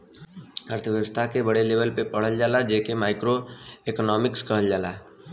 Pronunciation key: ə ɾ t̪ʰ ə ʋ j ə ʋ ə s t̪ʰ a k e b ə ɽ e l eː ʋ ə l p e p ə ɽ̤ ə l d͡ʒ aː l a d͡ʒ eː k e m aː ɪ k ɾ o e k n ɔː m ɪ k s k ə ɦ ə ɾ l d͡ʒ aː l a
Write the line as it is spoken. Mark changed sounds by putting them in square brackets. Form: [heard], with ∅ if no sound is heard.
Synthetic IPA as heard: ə ɾ t̪ʰ ə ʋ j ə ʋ ə s t̪ʰ a k e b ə ɽ e l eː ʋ ə l p e p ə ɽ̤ ə l d͡ʒ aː l a d͡ʒ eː k e m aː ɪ k ɾ o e k n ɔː m ɪ k s k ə ɦ ə [∅] l d͡ʒ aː l a